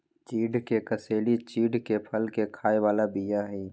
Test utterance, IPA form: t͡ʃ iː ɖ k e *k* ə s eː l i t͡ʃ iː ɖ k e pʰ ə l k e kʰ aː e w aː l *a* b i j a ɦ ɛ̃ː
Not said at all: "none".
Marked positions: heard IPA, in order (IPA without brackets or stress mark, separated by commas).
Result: k, a